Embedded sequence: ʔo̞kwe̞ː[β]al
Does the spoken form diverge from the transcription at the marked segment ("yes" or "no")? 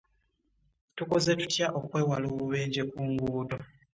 yes